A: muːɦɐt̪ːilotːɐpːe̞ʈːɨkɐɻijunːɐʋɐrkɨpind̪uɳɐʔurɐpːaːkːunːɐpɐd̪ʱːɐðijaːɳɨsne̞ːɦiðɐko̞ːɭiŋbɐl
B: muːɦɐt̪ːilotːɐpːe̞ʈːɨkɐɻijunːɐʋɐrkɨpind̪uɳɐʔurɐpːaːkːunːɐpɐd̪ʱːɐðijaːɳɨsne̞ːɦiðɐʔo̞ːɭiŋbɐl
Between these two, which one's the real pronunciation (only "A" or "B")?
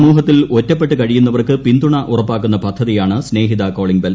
A